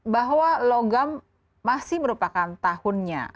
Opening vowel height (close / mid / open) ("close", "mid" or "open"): open